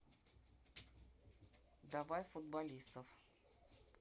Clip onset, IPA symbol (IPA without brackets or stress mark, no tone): d̪